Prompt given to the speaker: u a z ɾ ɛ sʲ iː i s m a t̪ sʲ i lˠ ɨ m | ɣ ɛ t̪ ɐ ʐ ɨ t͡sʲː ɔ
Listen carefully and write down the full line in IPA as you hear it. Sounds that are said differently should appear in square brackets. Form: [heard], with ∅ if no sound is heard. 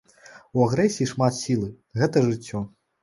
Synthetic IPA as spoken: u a [ɣ] ɾ ɛ sʲ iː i [ʂ] m a t̪ sʲ i lˠ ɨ [∅] | ɣ ɛ t̪ ɐ ʐ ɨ t͡sʲː ɔ